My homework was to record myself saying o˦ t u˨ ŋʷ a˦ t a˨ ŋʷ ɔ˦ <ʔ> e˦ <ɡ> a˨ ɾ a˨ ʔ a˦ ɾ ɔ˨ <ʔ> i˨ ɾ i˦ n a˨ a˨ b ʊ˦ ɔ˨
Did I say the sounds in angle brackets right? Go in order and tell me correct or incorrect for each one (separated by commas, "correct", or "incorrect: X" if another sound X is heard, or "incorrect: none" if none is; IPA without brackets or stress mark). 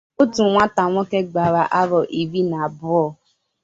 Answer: incorrect: k, incorrect: ɡ͡b, correct